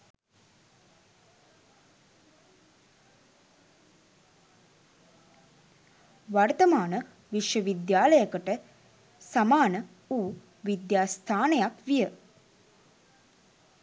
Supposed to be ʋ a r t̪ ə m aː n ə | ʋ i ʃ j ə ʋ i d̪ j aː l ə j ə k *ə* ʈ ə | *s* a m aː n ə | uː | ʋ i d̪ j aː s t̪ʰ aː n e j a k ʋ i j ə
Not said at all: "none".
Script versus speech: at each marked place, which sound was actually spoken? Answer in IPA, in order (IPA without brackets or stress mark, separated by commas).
ə, s